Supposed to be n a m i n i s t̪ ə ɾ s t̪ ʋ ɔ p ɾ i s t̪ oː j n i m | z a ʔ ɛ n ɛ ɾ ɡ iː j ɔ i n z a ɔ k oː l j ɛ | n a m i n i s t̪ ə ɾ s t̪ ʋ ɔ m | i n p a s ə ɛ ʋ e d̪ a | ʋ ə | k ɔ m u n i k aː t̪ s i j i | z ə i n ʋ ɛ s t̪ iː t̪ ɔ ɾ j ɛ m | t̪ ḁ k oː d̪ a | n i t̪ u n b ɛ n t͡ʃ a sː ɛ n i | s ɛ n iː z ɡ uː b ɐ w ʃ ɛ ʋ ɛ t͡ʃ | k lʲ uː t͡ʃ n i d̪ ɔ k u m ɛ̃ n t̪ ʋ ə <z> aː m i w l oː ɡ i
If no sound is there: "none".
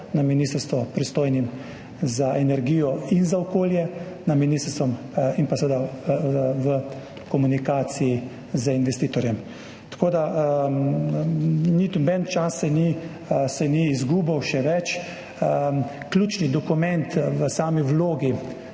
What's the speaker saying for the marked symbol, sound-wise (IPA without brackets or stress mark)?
s